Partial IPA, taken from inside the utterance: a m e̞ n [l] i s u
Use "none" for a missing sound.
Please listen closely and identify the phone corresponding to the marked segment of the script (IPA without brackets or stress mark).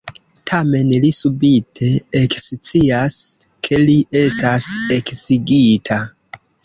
l